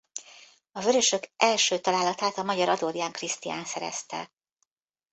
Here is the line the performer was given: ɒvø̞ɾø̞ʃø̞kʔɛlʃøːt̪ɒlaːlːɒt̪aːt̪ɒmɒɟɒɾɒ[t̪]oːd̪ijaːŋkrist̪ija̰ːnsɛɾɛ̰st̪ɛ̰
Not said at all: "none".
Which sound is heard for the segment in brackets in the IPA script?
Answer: d̪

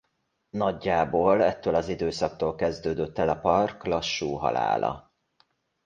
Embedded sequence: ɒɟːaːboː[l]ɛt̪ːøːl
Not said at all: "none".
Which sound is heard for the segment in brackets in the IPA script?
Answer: l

